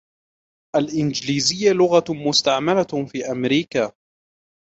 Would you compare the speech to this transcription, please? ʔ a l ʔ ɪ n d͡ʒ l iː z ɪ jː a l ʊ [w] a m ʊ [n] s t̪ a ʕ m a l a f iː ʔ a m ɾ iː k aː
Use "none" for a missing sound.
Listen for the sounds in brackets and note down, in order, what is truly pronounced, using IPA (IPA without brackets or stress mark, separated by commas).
ɣ, none